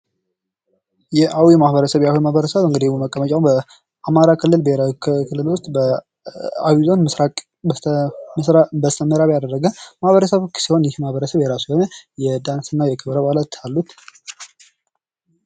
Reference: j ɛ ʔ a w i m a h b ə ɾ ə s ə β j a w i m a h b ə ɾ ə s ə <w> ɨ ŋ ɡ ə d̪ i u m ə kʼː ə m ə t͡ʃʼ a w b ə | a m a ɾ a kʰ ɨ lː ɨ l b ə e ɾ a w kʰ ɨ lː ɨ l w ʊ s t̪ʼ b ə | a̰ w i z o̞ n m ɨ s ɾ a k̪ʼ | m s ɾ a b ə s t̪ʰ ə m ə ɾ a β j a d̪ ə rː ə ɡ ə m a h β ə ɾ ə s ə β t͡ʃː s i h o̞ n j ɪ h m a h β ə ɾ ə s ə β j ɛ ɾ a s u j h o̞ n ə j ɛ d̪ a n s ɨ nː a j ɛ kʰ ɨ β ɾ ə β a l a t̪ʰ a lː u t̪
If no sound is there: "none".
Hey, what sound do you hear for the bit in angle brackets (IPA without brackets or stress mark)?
β